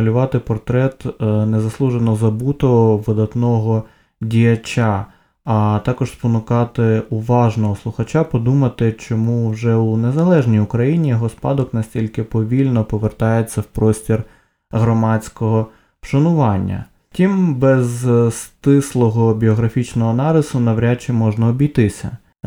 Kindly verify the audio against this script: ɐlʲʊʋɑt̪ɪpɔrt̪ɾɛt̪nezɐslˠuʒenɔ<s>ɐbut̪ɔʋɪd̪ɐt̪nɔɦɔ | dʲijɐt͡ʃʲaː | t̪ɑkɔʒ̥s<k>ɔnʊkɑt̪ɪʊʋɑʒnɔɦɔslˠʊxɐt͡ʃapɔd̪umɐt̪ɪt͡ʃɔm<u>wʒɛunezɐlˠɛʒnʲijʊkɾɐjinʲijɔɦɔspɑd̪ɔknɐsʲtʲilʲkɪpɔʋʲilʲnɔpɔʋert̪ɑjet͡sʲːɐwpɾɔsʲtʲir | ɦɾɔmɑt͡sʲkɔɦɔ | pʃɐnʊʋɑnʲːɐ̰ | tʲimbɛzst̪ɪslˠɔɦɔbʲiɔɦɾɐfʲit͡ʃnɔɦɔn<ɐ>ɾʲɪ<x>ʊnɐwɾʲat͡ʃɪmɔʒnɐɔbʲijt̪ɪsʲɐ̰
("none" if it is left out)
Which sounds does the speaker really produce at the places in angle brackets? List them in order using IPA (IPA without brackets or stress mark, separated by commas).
z, p, u, ɑ, s